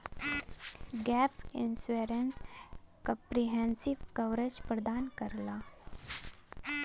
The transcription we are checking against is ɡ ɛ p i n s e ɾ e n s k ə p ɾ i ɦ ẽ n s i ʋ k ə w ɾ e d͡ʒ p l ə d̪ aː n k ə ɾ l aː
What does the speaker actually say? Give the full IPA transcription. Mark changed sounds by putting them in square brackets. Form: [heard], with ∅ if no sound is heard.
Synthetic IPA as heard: ɡ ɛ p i n s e ɾ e n s k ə p ɾ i ɦ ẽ n s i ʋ k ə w ɾ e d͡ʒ p [ɾ] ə d̪ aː n k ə ɾ l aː